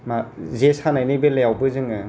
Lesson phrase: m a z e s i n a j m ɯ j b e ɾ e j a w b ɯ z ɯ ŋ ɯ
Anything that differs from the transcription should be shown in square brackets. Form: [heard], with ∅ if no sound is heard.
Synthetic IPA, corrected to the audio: m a z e s [a] n a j [n] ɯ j b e [l] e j a w b ɯ z ɯ ŋ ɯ